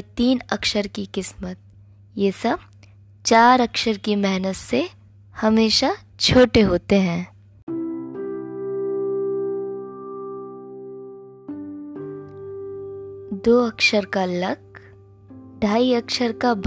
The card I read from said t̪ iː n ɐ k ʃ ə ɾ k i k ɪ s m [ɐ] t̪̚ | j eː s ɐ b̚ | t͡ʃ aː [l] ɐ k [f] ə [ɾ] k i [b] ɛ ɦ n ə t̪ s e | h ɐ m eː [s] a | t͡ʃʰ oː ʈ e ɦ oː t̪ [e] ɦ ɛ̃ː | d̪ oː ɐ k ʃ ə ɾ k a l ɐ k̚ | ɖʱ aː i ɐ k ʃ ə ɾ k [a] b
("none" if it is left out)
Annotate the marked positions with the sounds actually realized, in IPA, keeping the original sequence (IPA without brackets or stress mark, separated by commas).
ə, ɾ, ʃ, ɾ, m, ʃ, e, a